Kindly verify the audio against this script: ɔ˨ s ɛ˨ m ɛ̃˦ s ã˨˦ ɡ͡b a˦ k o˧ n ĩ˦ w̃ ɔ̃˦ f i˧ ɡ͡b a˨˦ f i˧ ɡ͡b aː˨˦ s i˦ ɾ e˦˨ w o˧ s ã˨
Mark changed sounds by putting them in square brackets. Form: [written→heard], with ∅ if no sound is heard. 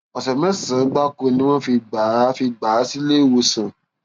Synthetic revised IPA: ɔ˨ s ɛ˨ m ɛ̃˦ s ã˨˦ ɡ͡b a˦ k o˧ n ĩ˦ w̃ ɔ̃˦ f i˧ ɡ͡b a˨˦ f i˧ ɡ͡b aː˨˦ s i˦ [ɾ→l] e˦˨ w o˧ s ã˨